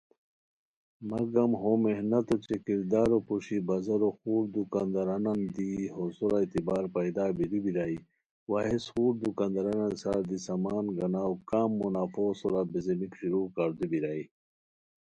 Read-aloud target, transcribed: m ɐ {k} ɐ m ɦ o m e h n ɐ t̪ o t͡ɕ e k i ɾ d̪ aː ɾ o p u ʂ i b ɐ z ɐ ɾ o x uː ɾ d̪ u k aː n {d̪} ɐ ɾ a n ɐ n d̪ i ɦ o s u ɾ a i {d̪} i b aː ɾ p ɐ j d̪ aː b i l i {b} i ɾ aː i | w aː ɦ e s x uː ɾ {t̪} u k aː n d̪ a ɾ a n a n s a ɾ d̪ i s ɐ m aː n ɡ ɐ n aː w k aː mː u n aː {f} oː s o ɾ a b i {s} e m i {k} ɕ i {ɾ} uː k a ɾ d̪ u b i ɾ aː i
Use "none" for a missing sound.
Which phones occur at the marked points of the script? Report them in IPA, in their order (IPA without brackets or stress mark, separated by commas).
ɡ, d̪, t̪, b, d̪, f, z, k, ɾ